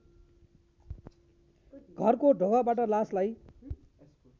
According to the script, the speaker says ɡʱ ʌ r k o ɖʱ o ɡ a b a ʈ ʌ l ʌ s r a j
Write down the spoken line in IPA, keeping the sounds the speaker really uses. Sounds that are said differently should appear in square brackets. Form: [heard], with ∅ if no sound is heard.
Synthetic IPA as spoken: ɡʱ ʌ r k o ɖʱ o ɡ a b a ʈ ʌ l [a] s [l] a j